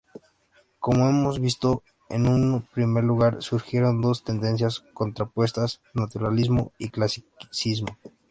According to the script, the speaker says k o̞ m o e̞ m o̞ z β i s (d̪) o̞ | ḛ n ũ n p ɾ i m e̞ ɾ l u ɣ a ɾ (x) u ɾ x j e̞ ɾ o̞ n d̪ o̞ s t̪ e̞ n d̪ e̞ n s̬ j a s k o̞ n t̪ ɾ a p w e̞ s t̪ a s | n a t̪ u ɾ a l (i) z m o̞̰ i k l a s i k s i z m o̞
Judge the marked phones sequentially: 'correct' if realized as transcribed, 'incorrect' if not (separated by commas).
incorrect, incorrect, correct